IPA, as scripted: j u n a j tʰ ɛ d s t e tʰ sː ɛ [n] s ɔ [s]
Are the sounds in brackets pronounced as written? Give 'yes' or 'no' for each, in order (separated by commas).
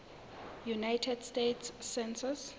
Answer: yes, yes